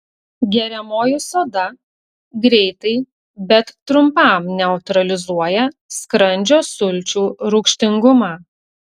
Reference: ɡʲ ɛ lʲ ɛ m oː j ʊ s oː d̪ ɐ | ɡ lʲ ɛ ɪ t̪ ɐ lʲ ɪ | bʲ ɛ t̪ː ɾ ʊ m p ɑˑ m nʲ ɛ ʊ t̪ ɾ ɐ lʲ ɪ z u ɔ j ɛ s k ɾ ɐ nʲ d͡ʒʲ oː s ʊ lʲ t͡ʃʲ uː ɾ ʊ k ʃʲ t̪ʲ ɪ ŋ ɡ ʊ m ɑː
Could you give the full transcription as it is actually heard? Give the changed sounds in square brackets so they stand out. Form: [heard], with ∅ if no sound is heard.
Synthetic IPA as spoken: ɡʲ ɛ [ɾʲ] ɛ m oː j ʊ s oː d̪ ɐ | ɡ [ɾʲ] ɛ ɪ t̪ ɐ [∅] ɪ | bʲ ɛ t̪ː ɾ ʊ m p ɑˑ m nʲ ɛ ʊ t̪ ɾ ɐ lʲ ɪ z u ɔ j ɛ s k ɾ ɐ nʲ d͡ʒʲ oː s ʊ lʲ t͡ʃʲ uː ɾ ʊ k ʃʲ t̪ʲ ɪ ŋ ɡ ʊ m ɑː